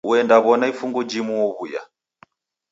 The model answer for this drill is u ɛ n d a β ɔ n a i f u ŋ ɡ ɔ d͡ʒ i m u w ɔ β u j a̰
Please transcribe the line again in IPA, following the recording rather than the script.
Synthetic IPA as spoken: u ɛ n d a β ɔ n a i f u ŋ ɡ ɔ d͡ʒ i m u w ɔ β u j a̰